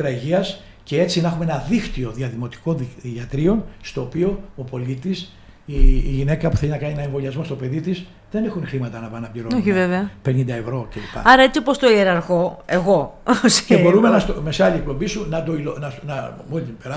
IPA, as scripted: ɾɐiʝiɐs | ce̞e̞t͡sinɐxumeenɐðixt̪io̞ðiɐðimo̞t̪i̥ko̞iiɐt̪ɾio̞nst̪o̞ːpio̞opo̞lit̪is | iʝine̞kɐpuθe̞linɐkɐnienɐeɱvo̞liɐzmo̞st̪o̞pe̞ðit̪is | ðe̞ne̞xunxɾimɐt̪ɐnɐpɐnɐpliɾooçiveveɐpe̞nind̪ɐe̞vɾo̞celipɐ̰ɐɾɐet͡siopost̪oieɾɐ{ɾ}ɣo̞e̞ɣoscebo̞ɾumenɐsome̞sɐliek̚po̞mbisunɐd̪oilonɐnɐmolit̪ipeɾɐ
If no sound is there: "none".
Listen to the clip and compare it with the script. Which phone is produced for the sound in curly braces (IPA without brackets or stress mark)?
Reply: ɾ